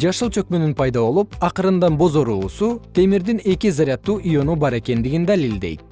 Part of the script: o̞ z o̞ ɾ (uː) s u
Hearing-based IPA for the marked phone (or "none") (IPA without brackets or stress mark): uː